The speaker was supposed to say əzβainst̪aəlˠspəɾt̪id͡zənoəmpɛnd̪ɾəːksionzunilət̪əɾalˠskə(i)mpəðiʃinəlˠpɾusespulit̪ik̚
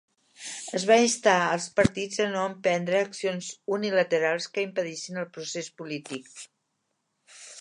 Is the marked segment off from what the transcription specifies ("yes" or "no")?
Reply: no